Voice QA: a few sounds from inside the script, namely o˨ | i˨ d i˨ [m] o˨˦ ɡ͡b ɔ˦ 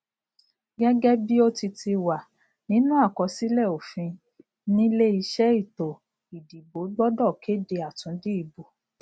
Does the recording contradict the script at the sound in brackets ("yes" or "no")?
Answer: yes